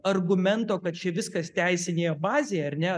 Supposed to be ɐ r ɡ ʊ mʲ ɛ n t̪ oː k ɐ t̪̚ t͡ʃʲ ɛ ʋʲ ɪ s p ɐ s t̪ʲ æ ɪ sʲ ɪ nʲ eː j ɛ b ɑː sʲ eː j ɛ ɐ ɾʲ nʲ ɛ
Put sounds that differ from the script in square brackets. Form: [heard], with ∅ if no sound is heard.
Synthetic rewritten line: ɐ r ɡ ʊ mʲ ɛ n t̪ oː k ɐ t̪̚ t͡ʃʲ ɛ ʋʲ ɪ s [k] ɐ s t̪ʲ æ ɪ sʲ ɪ nʲ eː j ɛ b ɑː [zʲ] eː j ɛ ɐ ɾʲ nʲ ɛ